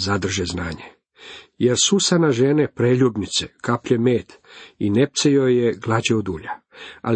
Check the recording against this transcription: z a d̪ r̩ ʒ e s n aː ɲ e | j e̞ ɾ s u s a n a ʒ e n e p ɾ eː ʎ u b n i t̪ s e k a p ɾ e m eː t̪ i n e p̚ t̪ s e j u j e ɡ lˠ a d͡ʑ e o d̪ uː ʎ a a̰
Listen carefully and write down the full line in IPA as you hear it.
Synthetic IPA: z a d̪ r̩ ʒ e z n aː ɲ e | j e̞ ɾ s u s a n a ʒ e n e p ɾ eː ʎ u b n i t̪ s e k a p ʎ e m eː t̪ i n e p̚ t̪ s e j o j e ɡ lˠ a d͡ʑ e o d̪ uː ʎ a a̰